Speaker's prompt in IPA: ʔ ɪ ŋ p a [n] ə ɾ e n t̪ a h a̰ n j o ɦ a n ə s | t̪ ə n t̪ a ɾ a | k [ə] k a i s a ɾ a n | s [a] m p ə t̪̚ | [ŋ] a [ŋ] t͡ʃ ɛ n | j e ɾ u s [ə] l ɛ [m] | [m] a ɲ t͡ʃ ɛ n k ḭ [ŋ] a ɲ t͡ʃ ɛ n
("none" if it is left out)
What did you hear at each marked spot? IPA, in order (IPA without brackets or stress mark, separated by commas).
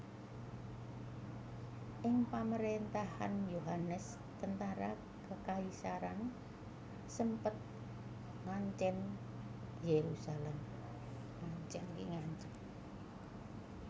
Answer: m, ə, ə, ŋ, ɲ, a, m, ŋ, ŋ